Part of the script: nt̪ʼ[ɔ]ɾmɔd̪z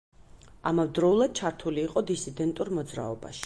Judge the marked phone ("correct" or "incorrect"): incorrect